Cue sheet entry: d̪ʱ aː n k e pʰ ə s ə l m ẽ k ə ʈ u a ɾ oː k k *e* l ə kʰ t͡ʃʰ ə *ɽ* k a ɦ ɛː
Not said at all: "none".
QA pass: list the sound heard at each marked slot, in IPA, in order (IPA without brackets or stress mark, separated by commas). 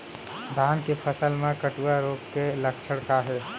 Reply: e, ɽ